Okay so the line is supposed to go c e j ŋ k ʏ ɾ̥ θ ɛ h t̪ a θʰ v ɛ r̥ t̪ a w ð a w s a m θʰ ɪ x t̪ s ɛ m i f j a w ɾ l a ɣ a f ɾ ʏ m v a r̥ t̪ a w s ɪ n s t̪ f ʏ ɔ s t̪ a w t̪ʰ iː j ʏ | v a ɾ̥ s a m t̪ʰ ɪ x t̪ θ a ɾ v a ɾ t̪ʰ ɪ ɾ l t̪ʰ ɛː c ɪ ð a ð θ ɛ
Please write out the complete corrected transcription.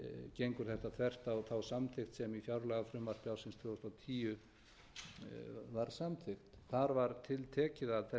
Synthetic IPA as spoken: c e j ŋ k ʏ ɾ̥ θ ɛ h t̪ a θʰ v ɛ r̥ t̪ a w θ a w s a m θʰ ɪ x t̪ s ɛ m i f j a w ɾ l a ɣ a f ɾ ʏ m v a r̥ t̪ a w s ɪ n s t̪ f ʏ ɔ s t̪ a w t̪ʰ iː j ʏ | v a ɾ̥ s a m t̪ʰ ɪ x t̪ θ a ɾ v a ɾ t̪ʰ ɪ l t̪ʰ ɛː c ɪ ð a ð θ ɛ